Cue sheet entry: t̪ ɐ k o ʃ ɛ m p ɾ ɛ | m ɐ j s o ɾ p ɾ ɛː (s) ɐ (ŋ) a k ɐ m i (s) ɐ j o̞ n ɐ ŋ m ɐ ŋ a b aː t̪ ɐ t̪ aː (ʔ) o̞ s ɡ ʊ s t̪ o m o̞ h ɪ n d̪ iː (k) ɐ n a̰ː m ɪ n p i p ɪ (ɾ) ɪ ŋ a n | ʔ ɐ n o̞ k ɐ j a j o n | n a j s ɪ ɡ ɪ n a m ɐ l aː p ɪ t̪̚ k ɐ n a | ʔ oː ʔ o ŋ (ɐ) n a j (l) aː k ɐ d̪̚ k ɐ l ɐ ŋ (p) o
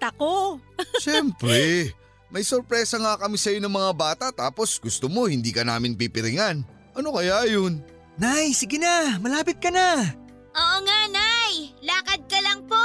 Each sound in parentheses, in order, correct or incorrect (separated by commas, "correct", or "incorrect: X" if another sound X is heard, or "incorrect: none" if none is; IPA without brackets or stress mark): correct, correct, correct, incorrect: p, correct, correct, incorrect: a, correct, correct